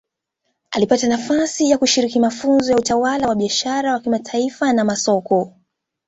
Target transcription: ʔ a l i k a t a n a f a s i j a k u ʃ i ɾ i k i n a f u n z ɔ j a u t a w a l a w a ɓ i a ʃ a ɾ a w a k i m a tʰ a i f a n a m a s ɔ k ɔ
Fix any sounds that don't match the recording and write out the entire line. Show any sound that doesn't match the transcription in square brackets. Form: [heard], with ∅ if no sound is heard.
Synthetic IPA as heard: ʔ a l i [p] a t a n a f a s i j a k u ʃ i ɾ i k i [m] a f u n z ɔ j a u t a w a l a w a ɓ i a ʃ a ɾ a w a k i m a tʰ a i f a n a m a s ɔ k ɔ